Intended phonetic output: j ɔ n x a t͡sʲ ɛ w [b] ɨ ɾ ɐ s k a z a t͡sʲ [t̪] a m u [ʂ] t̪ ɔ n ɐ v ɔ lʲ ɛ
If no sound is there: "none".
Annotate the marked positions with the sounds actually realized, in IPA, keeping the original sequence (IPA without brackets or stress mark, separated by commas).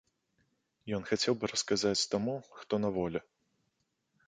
b, t̪, x